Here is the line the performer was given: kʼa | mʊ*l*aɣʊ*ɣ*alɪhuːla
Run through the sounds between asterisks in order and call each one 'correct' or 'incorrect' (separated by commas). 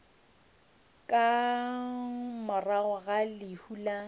incorrect, correct